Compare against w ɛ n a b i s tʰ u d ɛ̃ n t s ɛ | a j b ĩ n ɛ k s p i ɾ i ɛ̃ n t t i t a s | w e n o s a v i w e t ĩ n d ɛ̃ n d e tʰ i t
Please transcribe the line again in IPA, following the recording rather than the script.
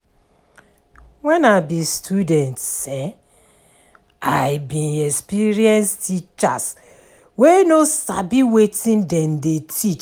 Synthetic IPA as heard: w ɛ n a b i s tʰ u d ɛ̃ n t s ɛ | a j b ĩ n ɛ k s p i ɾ i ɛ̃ n s t i t͡ʃ a s | w e n o s a b i w e t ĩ n d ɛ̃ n d e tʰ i t͡ʃ